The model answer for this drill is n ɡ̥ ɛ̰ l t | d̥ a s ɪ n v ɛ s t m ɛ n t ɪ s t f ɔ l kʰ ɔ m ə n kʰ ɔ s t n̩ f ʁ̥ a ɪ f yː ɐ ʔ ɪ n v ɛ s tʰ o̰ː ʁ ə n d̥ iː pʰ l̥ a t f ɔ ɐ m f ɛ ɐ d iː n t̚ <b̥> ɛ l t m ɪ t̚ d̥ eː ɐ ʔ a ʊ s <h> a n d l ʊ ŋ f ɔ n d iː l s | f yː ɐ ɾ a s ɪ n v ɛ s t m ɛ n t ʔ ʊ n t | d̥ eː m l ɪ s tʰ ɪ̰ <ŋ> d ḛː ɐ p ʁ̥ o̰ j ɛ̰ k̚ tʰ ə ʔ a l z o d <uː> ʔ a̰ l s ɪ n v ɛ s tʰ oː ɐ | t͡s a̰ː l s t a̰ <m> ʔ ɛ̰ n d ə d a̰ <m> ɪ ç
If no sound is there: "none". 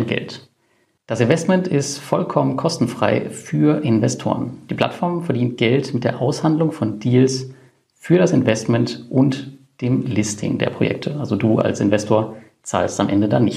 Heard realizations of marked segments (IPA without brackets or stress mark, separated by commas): ɡ̥, h, ŋ, uː, m, n